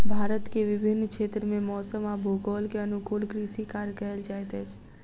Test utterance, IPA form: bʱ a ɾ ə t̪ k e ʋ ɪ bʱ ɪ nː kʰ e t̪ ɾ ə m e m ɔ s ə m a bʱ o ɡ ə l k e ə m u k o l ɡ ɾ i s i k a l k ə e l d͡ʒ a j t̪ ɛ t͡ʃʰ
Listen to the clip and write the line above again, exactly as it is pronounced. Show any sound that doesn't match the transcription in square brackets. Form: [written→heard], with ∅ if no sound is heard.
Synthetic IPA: bʱ a ɾ ə t̪ k e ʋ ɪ bʱ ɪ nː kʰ e t̪ ɾ ə m e m ɔ s ə m a bʱ o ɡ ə l k e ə [m→n] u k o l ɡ ɾ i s i k a [l→ɾ] k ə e l d͡ʒ a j t̪ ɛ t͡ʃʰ